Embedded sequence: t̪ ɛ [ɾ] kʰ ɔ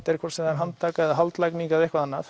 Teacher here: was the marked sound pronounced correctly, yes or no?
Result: yes